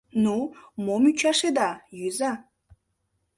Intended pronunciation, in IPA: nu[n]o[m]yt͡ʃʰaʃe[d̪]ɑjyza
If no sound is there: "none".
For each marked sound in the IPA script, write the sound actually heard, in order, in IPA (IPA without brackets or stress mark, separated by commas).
m, m, d̪